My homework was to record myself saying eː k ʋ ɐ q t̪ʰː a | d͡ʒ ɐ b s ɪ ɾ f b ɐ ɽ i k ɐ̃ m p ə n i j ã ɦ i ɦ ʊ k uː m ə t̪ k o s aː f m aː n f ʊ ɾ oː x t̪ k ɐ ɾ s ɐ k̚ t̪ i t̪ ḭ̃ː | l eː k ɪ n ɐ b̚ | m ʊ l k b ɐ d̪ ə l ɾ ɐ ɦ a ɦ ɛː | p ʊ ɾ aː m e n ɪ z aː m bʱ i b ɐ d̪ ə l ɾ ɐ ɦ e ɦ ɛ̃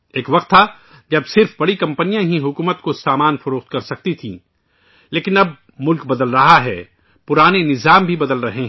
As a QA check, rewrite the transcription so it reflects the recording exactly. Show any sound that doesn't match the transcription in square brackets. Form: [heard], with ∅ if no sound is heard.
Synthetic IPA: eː k ʋ ɐ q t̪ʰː a | d͡ʒ ɐ b s ɪ ɾ f b ɐ ɽ i k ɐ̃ m p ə n i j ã ɦ i ɦ ʊ k uː m ə t̪ k o s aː [∅] m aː n f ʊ ɾ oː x t̪ k ɐ ɾ s ɐ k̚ t̪ i [t̪ʰ] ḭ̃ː | l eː k ɪ n ɐ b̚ | m ʊ l k b ɐ d̪ ə l ɾ ɐ ɦ a ɦ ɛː | p ʊ ɾ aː [n] e n ɪ z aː m bʱ i b ɐ d̪ ə l ɾ ɐ ɦ e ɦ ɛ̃